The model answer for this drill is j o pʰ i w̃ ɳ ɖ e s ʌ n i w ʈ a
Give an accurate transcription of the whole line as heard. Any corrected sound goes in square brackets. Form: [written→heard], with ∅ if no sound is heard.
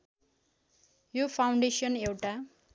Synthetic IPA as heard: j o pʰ [i→a] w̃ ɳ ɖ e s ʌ n [i→e] w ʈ a